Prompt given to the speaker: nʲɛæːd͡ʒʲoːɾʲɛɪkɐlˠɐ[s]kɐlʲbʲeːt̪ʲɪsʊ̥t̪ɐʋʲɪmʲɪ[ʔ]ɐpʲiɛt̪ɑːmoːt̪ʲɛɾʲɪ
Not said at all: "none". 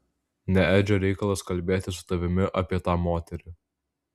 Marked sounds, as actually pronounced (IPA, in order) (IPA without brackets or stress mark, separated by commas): s, ʔ